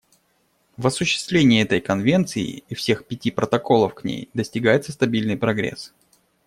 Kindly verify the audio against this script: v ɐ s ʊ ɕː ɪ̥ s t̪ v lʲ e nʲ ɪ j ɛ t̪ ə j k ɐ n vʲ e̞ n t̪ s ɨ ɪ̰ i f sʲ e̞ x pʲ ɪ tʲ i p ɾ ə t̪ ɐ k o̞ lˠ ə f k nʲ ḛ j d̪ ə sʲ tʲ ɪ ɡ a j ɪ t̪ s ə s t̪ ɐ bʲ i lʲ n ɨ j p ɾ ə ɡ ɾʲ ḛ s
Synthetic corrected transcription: v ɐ s ʊ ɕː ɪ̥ s t̪ v lʲ e nʲ ɪ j ɛ t̪ ə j k ɐ n vʲ e̞ n t̪ s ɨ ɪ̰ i f sʲ e̞ x pʲ ɪ tʲ i p ɾ ə t̪ ɐ k o̞ lˠ ə f k nʲ ḛ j d̪ ə sʲ tʲ ɪ ɡ a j ɪ t̪ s ə s t̪ ɐ bʲ i lʲ n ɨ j p ɾ ɐ ɡ ɾʲ ḛ s